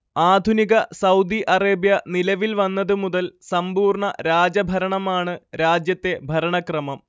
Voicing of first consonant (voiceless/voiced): voiced